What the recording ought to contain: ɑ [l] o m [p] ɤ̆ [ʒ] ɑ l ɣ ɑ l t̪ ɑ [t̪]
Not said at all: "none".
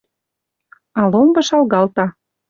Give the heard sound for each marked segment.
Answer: l, b, ʃ, none

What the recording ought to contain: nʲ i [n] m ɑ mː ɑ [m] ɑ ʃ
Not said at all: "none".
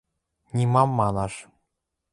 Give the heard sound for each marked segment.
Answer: none, n

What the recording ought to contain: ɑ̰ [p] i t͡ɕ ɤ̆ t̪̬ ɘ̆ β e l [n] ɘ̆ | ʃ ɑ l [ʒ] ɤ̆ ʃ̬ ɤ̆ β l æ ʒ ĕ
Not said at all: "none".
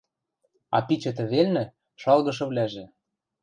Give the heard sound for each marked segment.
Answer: p, n, ɣ

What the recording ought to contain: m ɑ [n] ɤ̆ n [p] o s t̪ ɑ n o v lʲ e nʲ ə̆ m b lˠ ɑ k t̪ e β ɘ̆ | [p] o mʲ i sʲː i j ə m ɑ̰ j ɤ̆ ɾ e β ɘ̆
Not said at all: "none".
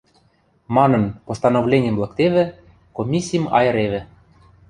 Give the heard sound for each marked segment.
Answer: n, p, k

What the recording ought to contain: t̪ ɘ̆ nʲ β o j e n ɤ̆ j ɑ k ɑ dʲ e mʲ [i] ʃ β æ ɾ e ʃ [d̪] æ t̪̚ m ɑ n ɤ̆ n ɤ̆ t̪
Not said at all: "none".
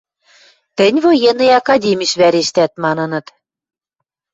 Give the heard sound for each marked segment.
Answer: i, t̪

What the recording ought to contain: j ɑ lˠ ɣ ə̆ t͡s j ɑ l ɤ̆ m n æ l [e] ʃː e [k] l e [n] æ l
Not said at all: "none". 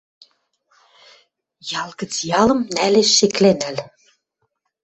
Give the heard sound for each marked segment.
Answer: e, k, n

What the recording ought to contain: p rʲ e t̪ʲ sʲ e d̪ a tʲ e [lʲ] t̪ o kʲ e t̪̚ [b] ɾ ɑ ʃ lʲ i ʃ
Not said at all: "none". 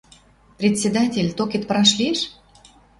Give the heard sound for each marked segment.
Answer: lʲ, p

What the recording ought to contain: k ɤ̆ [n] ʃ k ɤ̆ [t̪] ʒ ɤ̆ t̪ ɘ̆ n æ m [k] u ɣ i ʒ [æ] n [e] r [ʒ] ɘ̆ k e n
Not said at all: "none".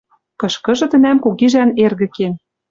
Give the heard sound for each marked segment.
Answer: none, none, k, æ, e, ɣ

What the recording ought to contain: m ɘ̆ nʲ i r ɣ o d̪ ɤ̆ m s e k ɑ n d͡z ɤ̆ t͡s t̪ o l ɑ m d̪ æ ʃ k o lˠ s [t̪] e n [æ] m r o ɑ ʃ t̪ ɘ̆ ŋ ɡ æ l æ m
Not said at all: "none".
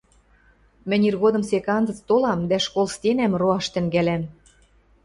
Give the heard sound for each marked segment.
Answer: t̪, æ

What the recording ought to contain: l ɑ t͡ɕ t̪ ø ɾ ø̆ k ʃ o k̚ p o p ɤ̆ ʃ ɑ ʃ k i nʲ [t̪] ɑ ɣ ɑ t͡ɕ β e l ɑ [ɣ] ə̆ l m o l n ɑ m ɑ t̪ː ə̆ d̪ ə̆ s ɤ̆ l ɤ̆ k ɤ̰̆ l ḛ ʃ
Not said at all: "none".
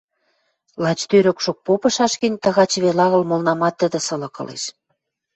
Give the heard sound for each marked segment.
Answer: t̪, ɣ

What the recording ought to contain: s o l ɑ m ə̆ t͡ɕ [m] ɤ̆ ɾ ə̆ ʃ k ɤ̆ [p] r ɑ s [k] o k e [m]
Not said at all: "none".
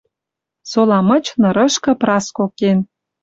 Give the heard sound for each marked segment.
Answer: n, p, k, n

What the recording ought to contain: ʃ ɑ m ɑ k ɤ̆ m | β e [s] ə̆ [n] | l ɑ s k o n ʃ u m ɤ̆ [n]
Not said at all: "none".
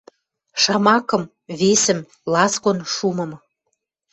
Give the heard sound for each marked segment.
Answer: s, m, m

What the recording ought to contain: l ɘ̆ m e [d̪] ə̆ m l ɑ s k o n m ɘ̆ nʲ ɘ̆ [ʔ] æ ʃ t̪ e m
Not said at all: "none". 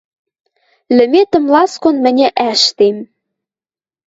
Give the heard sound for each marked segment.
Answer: t̪, ʔ

